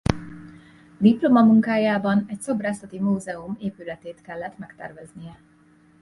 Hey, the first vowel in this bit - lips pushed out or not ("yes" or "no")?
no